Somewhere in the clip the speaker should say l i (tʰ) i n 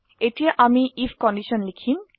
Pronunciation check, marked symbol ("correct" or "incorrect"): incorrect